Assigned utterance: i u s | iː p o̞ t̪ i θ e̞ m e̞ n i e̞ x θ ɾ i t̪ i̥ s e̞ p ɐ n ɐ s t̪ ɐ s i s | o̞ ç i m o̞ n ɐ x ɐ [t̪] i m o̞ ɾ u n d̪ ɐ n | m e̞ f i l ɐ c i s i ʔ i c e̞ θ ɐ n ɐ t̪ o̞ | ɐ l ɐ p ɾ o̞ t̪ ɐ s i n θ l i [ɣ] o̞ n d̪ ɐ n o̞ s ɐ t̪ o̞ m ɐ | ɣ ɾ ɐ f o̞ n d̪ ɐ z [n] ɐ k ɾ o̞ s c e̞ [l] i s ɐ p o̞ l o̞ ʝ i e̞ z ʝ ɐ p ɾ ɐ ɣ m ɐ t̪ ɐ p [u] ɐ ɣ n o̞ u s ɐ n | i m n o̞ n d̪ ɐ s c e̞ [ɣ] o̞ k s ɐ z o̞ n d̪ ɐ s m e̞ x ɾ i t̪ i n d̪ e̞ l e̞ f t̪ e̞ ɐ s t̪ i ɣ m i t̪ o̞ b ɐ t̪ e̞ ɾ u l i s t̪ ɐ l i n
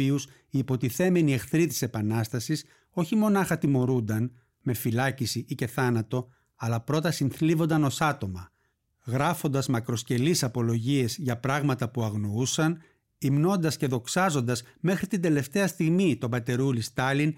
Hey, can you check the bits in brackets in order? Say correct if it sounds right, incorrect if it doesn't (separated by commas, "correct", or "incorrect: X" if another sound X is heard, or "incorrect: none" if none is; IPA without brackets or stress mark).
correct, incorrect: v, incorrect: m, correct, correct, incorrect: ð